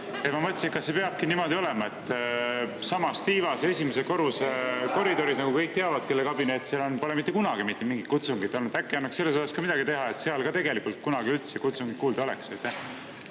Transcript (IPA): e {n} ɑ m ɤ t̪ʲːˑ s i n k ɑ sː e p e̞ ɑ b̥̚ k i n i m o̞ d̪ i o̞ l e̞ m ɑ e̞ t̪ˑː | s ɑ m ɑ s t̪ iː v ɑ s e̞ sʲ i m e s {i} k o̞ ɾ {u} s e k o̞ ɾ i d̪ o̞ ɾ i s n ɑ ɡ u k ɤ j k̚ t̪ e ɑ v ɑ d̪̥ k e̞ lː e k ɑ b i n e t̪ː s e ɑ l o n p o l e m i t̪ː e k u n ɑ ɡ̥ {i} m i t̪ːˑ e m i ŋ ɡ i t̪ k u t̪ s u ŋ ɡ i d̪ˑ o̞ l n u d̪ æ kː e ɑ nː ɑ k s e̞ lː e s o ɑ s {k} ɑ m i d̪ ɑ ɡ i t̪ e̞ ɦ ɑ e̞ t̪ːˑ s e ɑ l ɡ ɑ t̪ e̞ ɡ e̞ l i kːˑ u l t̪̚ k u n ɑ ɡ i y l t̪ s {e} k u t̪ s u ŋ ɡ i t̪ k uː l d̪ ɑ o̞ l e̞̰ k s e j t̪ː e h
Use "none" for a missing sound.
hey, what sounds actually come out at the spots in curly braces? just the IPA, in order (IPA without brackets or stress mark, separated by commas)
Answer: m, e, u, i, k, e